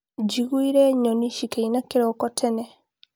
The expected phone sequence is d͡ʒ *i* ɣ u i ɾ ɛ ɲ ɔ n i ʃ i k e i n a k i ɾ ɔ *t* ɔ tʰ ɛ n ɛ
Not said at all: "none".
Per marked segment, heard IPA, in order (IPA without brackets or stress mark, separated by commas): i, k